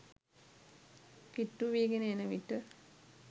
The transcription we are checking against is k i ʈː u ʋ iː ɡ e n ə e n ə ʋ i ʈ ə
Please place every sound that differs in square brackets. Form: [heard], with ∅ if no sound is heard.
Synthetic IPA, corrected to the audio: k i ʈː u ʋ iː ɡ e n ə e n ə ʋ i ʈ ə